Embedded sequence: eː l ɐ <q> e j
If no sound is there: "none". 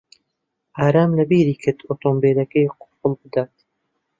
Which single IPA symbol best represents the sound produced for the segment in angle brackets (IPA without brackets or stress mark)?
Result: k